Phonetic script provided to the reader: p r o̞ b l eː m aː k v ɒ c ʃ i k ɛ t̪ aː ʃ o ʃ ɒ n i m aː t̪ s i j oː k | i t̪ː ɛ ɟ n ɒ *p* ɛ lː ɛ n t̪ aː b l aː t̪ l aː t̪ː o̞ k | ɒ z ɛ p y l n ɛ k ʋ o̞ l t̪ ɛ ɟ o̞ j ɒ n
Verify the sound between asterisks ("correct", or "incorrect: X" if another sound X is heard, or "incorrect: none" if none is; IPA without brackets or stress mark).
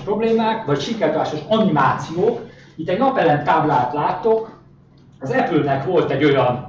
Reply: correct